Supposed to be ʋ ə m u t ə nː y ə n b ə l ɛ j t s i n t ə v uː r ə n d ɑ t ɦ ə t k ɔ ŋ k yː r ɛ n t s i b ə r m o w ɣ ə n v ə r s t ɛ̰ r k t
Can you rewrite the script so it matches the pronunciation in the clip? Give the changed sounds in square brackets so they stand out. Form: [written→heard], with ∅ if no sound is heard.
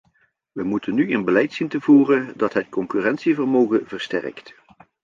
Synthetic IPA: ʋ ə m u t ə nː y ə n b ə l ɛ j t s i n t ə v uː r ə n d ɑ t ɦ ə t k ɔ ŋ k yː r ɛ n t s i [b→v] ə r m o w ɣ ə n v ə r s t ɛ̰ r k t